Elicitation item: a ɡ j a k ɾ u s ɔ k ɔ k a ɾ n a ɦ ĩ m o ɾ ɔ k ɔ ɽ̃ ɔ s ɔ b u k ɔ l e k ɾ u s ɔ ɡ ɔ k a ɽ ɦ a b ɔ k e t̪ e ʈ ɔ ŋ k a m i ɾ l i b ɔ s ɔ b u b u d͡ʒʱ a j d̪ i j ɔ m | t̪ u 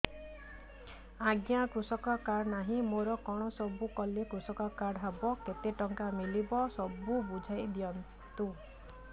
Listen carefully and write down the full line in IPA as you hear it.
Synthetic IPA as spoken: a ɡ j a k ɾ u s ɔ k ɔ k a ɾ n a ɦ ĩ m o ɾ ɔ k ɔ ɽ̃ ɔ s ɔ b u k ɔ l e k ɾ u s ɔ k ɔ k a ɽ ɦ a b ɔ k e t̪ e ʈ ɔ ŋ k a m i l i b ɔ s ɔ b u b u d͡ʒʱ a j d̪ i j ɔ n | t̪ u

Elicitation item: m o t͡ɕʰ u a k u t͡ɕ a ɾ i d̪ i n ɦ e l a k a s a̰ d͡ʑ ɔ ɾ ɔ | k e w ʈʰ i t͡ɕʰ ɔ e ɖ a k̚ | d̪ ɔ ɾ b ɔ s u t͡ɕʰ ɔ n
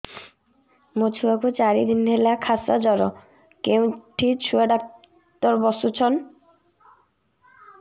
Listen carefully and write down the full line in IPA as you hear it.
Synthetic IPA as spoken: m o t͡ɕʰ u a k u t͡ɕ a ɾ i d̪ i n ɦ e l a kʰ a s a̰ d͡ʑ ɔ ɾ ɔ | k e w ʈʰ i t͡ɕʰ u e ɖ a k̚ | t̪ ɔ ɾ b ɔ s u t͡ɕʰ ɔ n

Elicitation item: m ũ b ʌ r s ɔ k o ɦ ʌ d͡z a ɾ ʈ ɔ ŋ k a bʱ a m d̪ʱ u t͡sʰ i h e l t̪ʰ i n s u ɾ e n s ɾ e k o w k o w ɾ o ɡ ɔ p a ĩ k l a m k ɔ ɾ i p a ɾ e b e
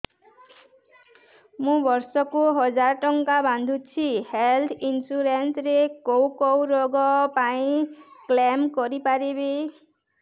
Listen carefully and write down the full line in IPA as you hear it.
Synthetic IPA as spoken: m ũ b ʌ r s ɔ k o ɦ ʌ d͡z a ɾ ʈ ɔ ŋ k a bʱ a n d̪ʱ u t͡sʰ i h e l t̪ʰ i n s u ɾ e n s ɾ e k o w k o w ɾ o ɡ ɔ p a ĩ k l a m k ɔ ɾ i p a ɾ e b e

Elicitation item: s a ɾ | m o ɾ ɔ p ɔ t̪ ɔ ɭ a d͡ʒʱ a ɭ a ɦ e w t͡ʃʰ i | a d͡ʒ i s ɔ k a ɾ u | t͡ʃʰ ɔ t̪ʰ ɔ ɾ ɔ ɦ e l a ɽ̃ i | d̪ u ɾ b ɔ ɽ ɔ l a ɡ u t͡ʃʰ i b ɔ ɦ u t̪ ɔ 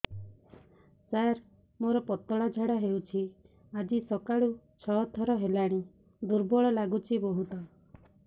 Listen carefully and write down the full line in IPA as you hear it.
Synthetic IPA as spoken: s a ɾ | m o ɾ ɔ p ɔ t̪ ɔ ɭ a d͡ʒʱ a ɽ a ɦ e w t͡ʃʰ i | a d͡ʒ i s ɔ k a ɭ u | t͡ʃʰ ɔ t̪ʰ ɔ ɾ ɔ ɦ e l a ɽ̃ i | d̪ u ɾ b ɔ ɭ ɔ l a ɡ u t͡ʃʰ i b ɔ ɦ u t̪ ɔ

